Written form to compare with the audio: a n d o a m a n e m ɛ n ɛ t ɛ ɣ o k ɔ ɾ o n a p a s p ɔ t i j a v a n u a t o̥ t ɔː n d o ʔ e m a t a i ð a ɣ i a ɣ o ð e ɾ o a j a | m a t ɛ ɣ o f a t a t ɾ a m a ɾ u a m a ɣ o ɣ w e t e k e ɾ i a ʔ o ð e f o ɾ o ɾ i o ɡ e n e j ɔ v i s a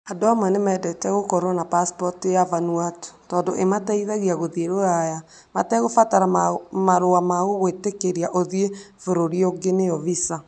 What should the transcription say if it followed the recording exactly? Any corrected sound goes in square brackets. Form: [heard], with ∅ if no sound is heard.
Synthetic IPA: a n d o a m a n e m ɛ [d] ɛ t ɛ ɣ o k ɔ ɾ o n a p a s p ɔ t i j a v a n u a t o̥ t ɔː n d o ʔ e m a t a i ð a ɣ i a ɣ o ð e ɾ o a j a | m a t ɛ ɣ o f a t a [∅] ɾ a m a ɾ [o] a m a ɣ o ɣ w e t e k e ɾ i a ʔ o ð e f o ɾ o ɾ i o ɡ e n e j ɔ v i s a